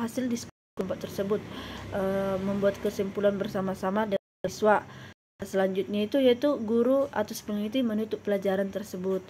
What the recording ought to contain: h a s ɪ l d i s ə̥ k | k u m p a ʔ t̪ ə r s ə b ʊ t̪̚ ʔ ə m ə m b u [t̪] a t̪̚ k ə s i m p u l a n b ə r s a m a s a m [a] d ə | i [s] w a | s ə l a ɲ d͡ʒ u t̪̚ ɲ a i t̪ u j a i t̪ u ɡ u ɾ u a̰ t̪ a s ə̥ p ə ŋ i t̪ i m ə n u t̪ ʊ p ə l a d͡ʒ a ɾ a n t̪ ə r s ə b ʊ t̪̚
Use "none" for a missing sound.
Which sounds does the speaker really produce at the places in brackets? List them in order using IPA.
none, a, s

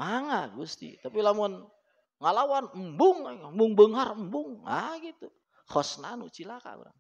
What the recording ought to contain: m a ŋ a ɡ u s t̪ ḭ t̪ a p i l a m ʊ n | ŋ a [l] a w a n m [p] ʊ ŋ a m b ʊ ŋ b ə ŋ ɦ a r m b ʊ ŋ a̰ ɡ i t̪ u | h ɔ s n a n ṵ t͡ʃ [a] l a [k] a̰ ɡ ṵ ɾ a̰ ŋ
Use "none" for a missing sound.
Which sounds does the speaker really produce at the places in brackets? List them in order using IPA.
l, b, i, k

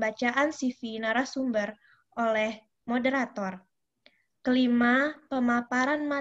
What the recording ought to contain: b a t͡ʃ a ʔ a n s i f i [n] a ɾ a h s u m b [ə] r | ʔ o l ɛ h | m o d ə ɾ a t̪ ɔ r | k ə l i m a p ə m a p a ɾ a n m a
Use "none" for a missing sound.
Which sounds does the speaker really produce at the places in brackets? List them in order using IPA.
n, ə

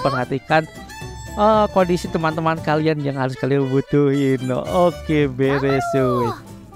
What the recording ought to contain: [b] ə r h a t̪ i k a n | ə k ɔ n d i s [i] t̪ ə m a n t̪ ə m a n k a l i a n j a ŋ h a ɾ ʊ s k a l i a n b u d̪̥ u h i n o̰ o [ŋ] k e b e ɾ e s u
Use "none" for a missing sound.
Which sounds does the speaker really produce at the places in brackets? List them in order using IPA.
p, i, none

